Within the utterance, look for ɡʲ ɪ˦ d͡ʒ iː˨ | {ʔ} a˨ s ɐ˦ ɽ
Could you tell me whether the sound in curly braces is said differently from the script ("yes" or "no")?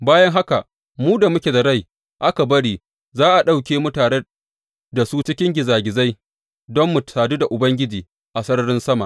no